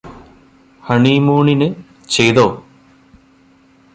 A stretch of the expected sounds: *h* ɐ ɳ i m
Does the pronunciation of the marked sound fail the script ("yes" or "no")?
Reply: no